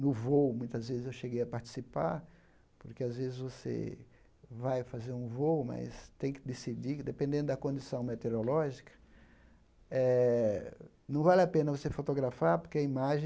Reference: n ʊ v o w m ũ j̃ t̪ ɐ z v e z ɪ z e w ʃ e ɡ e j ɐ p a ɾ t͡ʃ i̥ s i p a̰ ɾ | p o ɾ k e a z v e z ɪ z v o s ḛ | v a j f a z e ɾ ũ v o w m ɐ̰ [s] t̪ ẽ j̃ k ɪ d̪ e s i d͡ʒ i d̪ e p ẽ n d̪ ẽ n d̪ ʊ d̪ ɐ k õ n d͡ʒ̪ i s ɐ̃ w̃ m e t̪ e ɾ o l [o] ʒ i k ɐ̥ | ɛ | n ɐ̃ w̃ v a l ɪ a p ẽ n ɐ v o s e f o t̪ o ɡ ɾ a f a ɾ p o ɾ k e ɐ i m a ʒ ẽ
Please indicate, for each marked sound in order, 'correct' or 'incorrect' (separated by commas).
correct, incorrect